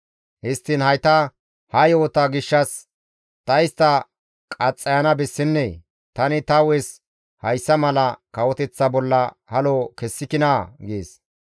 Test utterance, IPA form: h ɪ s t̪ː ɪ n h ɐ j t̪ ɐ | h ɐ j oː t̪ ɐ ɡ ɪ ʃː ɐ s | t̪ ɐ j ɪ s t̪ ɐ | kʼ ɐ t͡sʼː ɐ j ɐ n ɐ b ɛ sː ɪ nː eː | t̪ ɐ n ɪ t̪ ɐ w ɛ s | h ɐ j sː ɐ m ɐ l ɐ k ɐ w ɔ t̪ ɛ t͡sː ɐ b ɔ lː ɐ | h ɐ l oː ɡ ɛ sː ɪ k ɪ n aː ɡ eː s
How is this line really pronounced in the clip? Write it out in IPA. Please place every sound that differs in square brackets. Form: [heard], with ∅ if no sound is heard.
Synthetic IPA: h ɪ s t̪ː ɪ n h ɐ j t̪ ɐ | h ɐ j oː t̪ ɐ ɡ ɪ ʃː ɐ s | t̪ ɐ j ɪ s t̪ ɐ | kʼ ɐ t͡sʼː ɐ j ɐ n ɐ b ɛ sː ɪ nː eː | t̪ ɐ n ɪ t̪ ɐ w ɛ s | h ɐ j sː ɐ m ɐ l ɐ k ɐ w ɔ t̪ ɛ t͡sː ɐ b ɔ lː ɐ | h ɐ l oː [k] ɛ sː ɪ k ɪ n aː ɡ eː s

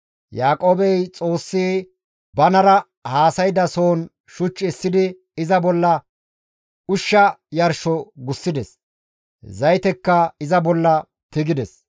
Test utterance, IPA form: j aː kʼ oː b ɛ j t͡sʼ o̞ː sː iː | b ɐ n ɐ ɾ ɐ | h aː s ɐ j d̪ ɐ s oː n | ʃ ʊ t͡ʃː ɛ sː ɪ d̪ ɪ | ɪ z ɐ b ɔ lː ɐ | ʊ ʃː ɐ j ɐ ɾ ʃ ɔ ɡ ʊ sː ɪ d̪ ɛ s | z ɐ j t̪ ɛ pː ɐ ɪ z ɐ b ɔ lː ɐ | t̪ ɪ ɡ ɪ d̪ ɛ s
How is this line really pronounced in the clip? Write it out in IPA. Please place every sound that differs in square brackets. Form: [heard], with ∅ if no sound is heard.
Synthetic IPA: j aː kʼ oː b ɛ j t͡sʼ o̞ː sː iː | b ɐ n ɐ ɾ ɐ | h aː s ɐ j d̪ ɐ s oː n | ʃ ʊ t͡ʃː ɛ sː ɪ d̪ ɪ | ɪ z ɐ b ɔ lː ɐ | ʊ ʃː ɐ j ɐ ɾ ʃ ɔ ɡ ʊ sː ɪ d̪ ɛ s | z ɐ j t̪ ɛ [kː] ɐ ɪ z ɐ b ɔ lː ɐ | t̪ ɪ ɡ ɪ d̪ ɛ s

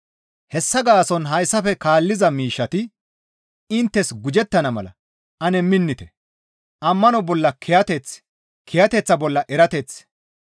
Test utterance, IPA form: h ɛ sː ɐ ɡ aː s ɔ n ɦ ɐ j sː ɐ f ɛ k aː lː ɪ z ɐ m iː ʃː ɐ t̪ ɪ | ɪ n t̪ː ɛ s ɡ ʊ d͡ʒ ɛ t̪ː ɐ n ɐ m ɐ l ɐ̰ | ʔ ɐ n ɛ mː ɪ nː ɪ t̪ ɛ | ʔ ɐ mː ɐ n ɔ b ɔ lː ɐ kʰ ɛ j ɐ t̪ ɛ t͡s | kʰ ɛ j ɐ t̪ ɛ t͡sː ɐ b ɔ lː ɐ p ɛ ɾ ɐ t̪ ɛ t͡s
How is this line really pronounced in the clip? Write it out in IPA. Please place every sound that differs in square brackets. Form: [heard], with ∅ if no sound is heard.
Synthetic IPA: h ɛ sː ɐ ɡ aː s ɔ n ɦ ɐ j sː ɐ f ɛ k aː lː ɪ z ɐ m iː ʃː ɐ t̪ ɪ | ɪ n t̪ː ɛ s ɡ ʊ d͡ʒ ɛ t̪ː ɐ n ɐ m ɐ l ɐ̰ | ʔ ɐ n ɛ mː ɪ nː ɪ t̪ ɛ | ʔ ɐ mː ɐ n ɔ b ɔ lː ɐ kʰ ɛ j ɐ t̪ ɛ t͡s | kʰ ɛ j ɐ t̪ ɛ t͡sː ɐ b ɔ lː ɐ [ʔ] ɛ ɾ ɐ t̪ ɛ t͡s

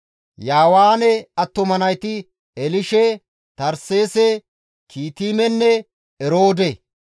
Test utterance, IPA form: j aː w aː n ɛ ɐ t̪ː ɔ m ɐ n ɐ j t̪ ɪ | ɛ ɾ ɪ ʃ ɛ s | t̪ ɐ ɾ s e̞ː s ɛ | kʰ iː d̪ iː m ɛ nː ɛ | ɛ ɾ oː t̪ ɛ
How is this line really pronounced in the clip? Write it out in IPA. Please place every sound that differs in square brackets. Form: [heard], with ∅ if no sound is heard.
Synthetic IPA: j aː w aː n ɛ ɐ t̪ː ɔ m ɐ n ɐ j t̪ ɪ | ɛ [l] ɪ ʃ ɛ [∅] | t̪ ɐ ɾ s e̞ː s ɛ | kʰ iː [t̪] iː m ɛ nː ɛ | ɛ ɾ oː [d̪] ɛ

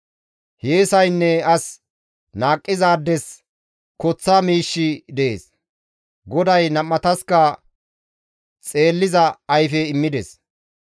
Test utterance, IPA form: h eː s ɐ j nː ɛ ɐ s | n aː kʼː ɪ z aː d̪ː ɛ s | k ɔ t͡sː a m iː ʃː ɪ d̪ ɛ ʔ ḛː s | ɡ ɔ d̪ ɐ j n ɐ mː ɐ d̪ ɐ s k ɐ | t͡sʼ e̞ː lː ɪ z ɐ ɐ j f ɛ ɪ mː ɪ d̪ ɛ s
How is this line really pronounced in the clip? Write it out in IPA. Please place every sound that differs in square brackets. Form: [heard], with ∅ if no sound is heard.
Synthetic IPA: h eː s ɐ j nː ɛ ɐ s | n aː kʼː ɪ z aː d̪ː ɛ s | k ɔ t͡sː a m iː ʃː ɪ d̪ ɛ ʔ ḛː s | ɡ ɔ d̪ ɐ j n ɐ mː ɐ [t̪] ɐ s k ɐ | t͡sʼ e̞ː lː ɪ z ɐ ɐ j f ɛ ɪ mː ɪ d̪ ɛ s

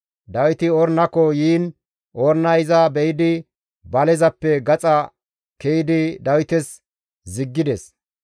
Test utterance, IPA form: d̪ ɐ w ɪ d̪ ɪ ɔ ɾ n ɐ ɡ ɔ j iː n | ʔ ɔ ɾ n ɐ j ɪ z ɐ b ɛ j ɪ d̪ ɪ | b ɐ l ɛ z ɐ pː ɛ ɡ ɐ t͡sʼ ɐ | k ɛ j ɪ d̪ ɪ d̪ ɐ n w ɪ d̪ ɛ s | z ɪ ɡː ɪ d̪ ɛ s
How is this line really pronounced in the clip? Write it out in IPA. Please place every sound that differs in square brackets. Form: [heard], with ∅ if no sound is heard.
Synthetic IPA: d̪ ɐ w ɪ [t̪] ɪ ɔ ɾ n ɐ [k] ɔ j iː n | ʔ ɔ ɾ n ɐ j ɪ z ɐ b ɛ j ɪ d̪ ɪ | b ɐ l ɛ z ɐ pː ɛ ɡ ɐ t͡sʼ ɐ | k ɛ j ɪ d̪ ɪ d̪ ɐ [∅] w ɪ [t̪] ɛ s | z ɪ ɡː ɪ d̪ ɛ s

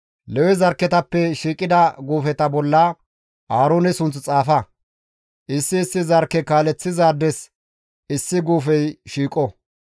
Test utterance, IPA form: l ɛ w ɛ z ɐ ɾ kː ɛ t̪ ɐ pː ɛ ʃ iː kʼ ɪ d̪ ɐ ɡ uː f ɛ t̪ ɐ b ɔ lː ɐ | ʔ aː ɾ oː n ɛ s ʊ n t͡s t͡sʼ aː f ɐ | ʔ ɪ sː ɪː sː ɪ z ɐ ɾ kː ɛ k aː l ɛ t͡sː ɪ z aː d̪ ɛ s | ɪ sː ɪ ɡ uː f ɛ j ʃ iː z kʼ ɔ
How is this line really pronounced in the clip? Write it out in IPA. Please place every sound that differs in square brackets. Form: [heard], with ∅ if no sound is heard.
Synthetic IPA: l ɛ w ɛ z ɐ ɾ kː ɛ t̪ ɐ pː ɛ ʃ iː kʼ ɪ d̪ ɐ ɡ uː f ɛ t̪ ɐ b ɔ lː ɐ | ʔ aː ɾ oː n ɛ s ʊ n t͡s t͡sʼ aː f ɐ | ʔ ɪ sː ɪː sː ɪ z ɐ ɾ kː ɛ k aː l ɛ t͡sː ɪ z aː d̪ ɛ s | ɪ sː ɪ ɡ uː f ɛ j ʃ iː [∅] kʼ ɔ

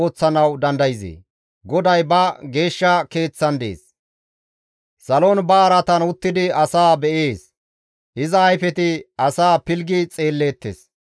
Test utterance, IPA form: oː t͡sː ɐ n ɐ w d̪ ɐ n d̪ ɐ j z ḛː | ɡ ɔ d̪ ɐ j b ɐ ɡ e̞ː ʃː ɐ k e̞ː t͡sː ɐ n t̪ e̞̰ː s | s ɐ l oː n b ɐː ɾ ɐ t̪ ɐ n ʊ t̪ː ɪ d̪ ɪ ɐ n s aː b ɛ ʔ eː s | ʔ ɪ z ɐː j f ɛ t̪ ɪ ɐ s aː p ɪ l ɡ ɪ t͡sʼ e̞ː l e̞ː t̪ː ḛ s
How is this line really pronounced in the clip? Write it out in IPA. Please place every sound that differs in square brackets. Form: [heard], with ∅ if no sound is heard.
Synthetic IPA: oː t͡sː ɐ n ɐ w d̪ ɐ n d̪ ɐ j z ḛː | ɡ ɔ d̪ ɐ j b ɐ ɡ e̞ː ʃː ɐ k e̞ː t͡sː ɐ n [d̪] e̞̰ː s | s ɐ l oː n b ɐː ɾ ɐ t̪ ɐ n ʊ t̪ː ɪ d̪ ɪ ɐ [∅] s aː b ɛ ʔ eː s | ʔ ɪ z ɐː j f ɛ t̪ ɪ ɐ s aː p ɪ l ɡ ɪ t͡sʼ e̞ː [lː] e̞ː t̪ː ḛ s

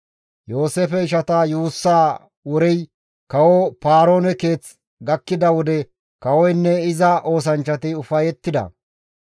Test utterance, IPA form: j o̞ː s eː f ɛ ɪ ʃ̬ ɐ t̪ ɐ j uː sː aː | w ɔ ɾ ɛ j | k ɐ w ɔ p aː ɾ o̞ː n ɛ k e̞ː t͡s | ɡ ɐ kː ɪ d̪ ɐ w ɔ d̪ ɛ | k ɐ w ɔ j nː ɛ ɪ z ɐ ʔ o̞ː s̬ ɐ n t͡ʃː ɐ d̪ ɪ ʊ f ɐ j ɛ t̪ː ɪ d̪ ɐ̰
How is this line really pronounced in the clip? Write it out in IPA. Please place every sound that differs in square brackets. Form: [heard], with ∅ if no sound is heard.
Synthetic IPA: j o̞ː s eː f ɛ ɪ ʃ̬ ɐ t̪ ɐ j uː sː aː | w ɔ ɾ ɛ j | k ɐ w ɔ p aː ɾ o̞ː n ɛ k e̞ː t͡s | ɡ ɐ kː ɪ d̪ ɐ w ɔ d̪ ɛ | k ɐ w ɔ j nː ɛ ɪ z ɐ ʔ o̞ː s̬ ɐ n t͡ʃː ɐ [t̪] ɪ ʊ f ɐ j ɛ t̪ː ɪ d̪ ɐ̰

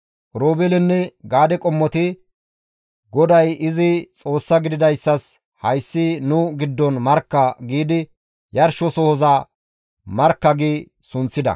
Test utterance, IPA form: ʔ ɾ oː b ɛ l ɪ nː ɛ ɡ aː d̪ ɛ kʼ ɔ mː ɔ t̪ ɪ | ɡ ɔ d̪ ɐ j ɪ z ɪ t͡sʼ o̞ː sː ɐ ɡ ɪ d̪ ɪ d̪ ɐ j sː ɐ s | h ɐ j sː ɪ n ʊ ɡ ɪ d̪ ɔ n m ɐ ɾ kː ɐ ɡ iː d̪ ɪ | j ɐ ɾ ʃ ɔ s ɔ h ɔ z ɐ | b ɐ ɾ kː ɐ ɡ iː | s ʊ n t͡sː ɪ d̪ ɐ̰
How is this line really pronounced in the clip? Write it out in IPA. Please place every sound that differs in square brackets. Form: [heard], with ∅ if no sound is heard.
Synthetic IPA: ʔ ɾ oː b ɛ l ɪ nː ɛ ɡ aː d̪ ɛ kʼ ɔ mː ɔ t̪ ɪ | ɡ ɔ d̪ ɐ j ɪ z ɪ t͡sʼ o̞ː sː ɐ ɡ ɪ d̪ ɪ d̪ ɐ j sː ɐ s | h ɐ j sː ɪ n ʊ ɡ ɪ [d̪ː] ɔ n m ɐ ɾ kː ɐ ɡ iː d̪ ɪ | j ɐ ɾ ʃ ɔ s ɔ h ɔ z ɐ | [m] ɐ ɾ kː ɐ ɡ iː | s ʊ n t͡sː ɪ d̪ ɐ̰

